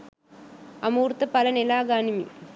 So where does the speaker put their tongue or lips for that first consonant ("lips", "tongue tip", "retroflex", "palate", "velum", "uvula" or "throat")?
lips